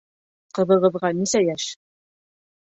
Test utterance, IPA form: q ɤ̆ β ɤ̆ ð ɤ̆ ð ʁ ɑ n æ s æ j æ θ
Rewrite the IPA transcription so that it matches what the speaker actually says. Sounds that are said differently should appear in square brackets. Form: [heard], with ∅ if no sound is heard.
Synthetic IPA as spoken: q ɤ̆ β ɤ̆ [ʁ] ɤ̆ ð ʁ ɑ n [i] s æ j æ [ʃ]